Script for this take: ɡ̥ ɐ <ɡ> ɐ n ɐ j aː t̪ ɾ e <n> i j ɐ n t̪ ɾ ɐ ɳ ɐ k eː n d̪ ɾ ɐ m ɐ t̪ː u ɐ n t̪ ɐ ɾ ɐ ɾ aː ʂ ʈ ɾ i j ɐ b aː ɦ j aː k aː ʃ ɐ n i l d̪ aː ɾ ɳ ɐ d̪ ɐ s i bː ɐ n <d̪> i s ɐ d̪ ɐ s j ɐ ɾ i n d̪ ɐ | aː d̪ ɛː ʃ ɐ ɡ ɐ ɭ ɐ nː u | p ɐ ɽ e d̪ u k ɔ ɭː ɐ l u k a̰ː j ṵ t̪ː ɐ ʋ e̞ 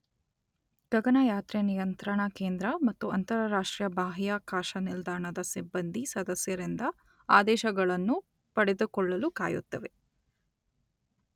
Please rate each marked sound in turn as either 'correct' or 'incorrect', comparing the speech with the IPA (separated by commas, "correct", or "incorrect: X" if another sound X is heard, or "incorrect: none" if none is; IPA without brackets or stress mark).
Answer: correct, correct, correct